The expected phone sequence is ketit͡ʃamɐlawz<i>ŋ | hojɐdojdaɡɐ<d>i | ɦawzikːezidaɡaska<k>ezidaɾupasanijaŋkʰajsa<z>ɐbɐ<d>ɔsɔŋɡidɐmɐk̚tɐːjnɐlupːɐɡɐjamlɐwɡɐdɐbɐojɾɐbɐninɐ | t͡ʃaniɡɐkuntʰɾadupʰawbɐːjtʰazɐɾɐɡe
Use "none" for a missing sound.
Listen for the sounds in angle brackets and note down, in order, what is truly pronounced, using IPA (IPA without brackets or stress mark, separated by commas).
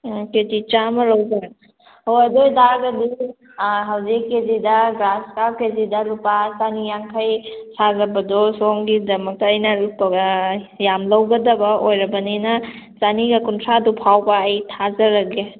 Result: a, d, k, z, d